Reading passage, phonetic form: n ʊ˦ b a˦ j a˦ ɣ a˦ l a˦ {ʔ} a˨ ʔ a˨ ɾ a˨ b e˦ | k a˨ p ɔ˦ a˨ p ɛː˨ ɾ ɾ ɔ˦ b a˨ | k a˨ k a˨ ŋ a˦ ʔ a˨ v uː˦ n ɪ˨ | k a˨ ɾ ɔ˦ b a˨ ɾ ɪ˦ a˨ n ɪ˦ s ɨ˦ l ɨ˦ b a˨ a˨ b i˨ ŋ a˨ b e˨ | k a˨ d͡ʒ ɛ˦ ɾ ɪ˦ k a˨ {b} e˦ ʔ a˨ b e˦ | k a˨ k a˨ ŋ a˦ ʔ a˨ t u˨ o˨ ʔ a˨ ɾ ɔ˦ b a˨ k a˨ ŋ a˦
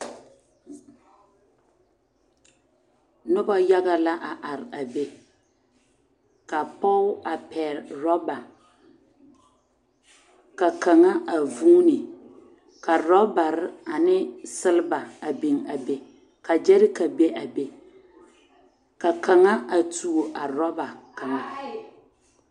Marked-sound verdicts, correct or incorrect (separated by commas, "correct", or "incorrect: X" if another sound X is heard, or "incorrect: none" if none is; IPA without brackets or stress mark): correct, correct